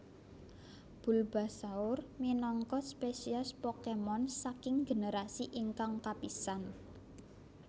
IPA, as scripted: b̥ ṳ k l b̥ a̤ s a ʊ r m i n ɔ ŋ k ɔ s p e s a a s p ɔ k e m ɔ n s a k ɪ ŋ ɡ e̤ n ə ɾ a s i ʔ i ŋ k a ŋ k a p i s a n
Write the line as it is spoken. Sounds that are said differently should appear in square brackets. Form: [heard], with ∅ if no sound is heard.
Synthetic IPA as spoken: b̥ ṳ [∅] l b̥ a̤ s a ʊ r m i n ɔ ŋ k ɔ s p e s [i] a s p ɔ k e m ɔ n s a k ɪ ŋ ɡ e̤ n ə ɾ a s i ʔ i ŋ k a ŋ k a p i s a n